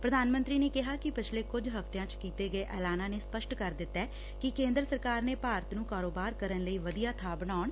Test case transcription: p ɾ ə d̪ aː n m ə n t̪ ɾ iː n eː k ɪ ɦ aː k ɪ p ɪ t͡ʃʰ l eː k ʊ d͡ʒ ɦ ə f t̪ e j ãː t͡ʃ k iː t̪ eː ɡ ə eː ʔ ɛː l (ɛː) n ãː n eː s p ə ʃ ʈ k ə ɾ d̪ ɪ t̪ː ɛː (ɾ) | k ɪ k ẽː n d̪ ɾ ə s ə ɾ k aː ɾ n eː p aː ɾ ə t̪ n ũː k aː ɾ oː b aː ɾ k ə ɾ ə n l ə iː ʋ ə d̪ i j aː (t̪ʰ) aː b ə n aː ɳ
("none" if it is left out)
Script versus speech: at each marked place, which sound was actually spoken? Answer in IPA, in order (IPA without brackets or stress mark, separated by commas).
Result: aː, none, t̪ʰ